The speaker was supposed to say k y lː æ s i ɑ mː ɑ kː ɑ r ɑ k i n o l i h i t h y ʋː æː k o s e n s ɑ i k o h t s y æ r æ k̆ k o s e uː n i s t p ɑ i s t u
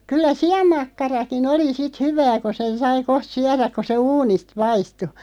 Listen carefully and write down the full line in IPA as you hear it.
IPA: k y lː æ s i ɑ mː ɑ kː ɑ r ɑ k i n o l i s i t h y ʋ æː k o s e n s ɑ i k o h t s y æ r æ k̆ k o s e uː n i s t p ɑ i s t u